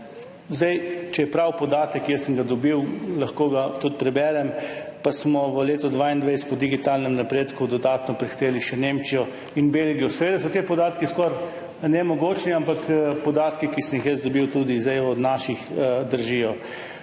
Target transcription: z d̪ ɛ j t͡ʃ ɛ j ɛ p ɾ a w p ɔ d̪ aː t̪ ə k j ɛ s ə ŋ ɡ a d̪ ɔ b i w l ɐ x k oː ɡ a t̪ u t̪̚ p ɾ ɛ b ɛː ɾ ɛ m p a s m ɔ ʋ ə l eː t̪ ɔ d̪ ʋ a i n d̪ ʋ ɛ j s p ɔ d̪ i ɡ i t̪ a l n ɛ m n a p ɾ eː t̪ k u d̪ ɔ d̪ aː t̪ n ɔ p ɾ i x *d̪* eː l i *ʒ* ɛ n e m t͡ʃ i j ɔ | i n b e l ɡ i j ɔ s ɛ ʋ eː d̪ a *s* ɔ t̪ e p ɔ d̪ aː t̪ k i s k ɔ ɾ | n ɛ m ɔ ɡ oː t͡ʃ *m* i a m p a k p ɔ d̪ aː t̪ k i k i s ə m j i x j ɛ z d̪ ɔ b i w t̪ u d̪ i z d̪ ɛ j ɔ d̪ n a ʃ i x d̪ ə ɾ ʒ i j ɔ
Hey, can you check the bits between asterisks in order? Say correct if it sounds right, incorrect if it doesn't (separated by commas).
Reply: incorrect, incorrect, correct, incorrect